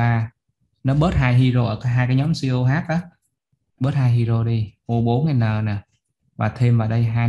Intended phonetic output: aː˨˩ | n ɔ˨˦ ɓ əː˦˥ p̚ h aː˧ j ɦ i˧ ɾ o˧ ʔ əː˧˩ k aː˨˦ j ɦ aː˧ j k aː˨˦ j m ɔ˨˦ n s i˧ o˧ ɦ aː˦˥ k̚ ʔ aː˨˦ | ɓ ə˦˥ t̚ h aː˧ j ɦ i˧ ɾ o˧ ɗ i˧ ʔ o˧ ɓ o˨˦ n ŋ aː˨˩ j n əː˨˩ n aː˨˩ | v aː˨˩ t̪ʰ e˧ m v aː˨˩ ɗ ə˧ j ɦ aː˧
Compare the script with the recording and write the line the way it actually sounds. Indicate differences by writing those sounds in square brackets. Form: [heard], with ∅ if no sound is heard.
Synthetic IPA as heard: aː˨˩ | n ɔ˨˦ ɓ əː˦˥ [t̚] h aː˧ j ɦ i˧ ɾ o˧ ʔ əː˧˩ k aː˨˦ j ɦ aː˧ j k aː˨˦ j [ɲ] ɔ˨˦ [m] s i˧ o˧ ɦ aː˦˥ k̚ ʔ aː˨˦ | ɓ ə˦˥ t̚ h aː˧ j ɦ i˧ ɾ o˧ ɗ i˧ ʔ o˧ ɓ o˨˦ n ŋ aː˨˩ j n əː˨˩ n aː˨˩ | v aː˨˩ t̪ʰ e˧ m v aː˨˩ ɗ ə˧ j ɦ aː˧